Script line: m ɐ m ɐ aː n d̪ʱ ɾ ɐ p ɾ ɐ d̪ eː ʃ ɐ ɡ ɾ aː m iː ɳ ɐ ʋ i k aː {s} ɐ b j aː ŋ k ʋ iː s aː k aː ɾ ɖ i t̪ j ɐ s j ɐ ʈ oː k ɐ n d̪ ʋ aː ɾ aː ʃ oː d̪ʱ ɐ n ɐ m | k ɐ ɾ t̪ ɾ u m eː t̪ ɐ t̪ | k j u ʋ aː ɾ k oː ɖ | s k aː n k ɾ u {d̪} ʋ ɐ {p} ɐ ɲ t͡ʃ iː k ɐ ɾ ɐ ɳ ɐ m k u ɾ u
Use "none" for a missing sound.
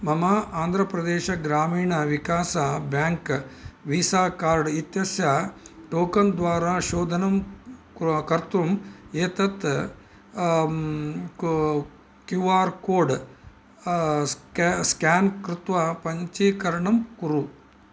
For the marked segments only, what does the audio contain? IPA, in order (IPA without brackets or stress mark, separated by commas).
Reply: s, t̪, p